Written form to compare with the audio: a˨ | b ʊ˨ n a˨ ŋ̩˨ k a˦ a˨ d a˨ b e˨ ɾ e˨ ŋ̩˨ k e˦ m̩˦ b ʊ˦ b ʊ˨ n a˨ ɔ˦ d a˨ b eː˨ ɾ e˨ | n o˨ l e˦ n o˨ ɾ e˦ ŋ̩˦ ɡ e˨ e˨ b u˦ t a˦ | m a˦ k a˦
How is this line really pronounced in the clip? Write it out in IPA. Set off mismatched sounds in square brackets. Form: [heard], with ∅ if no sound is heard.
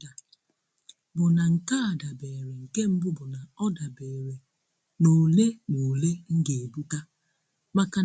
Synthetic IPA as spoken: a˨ | b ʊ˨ n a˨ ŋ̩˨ k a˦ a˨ d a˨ b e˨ ɾ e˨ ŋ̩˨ k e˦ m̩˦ b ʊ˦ b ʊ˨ n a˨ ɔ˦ d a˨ b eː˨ ɾ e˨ | n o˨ l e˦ n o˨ [l] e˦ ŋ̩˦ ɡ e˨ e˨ b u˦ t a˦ | m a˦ k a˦